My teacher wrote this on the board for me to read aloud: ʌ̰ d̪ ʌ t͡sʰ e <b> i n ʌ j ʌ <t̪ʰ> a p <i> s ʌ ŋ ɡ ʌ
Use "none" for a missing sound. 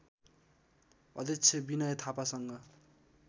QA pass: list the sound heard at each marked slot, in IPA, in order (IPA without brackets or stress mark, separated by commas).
b, t̪ʰ, a